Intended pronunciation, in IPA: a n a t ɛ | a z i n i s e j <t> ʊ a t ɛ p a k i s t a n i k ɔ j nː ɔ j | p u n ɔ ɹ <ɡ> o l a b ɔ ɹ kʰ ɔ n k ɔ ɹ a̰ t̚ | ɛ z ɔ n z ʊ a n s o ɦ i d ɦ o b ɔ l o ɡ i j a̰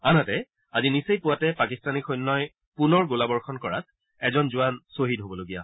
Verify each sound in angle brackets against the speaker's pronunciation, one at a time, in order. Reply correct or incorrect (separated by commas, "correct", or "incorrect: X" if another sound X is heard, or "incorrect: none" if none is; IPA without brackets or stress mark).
incorrect: p, correct